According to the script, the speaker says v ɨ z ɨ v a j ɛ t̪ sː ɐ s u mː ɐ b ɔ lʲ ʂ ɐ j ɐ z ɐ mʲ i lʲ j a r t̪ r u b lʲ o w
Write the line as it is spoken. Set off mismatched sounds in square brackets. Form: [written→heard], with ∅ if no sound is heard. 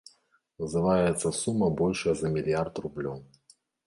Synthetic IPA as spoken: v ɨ z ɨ v a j ɛ t̪ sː ɐ s u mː ɐ b ɔ lʲ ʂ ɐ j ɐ z ɐ mʲ i lʲ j a r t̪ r u b lʲ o w